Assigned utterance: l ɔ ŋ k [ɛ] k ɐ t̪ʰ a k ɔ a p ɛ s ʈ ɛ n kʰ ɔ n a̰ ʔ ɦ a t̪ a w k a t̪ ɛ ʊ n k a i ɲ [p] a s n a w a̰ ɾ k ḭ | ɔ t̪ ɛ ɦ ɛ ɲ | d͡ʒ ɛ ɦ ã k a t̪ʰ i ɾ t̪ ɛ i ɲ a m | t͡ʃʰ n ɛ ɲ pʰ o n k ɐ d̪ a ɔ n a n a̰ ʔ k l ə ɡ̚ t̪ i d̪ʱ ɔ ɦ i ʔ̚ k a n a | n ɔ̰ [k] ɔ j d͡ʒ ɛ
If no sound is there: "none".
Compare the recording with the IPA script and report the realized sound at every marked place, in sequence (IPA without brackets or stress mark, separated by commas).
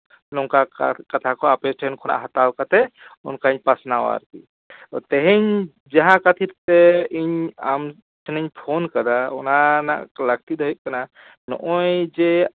a, p, ʔ